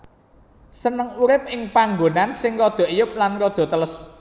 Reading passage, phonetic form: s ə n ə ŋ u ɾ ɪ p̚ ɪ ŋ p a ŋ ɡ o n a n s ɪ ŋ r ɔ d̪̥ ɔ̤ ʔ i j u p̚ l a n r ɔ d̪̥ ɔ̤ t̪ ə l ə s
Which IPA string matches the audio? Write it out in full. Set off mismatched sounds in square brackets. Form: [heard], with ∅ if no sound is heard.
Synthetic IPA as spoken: s ə n ə ŋ u ɾ ɪ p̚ ɪ ŋ p a ŋ ɡ o n a n s ɪ ŋ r ɔ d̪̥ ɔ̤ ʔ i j [ʊ] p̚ l a n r ɔ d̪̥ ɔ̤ t̪ ə l ə s